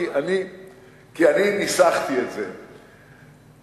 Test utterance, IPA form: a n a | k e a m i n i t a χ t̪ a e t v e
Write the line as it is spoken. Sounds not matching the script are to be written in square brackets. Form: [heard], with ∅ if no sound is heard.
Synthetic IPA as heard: a n [i] | k [i] a [n] i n i [s] a χ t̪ [i] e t [z] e